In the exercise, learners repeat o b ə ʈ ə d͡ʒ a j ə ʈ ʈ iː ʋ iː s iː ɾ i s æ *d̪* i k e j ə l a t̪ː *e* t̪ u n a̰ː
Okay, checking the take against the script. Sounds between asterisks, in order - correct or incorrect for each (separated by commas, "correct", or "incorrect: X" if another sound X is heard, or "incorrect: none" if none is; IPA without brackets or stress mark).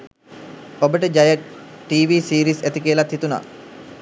incorrect: t̪, incorrect: i